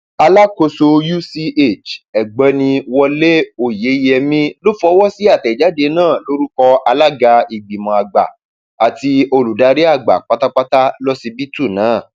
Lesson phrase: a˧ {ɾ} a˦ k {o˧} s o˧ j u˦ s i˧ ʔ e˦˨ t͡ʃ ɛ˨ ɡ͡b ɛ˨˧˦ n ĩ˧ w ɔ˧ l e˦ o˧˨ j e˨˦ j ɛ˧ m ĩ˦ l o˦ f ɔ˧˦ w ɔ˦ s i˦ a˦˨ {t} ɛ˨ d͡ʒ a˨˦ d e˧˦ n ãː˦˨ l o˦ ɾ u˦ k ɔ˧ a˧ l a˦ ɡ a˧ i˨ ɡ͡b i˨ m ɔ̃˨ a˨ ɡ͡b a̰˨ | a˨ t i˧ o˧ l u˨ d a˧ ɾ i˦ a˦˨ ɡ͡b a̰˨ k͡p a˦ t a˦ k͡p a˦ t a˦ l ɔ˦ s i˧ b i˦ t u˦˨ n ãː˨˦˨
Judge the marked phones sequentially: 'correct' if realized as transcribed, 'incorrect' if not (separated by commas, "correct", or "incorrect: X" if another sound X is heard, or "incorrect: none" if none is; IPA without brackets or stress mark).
incorrect: l, correct, correct